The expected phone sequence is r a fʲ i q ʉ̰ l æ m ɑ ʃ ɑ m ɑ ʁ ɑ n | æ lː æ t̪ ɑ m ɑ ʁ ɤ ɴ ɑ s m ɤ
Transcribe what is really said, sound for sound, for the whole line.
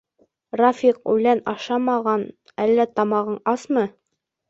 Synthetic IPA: r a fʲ i q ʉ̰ l æ n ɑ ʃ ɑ m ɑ ʁ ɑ n | æ lː æ t̪ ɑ m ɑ ʁ ɤ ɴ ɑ s m ɤ